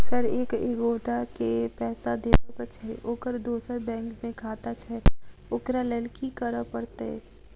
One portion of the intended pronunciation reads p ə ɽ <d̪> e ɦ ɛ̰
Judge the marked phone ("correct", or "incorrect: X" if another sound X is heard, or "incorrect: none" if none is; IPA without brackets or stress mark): incorrect: t̪